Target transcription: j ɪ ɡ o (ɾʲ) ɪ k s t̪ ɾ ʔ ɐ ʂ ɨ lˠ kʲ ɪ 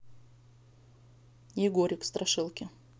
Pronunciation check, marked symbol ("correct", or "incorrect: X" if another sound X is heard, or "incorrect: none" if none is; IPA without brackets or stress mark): correct